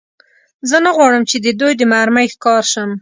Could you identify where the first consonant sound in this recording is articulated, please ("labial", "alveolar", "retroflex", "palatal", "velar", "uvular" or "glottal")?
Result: alveolar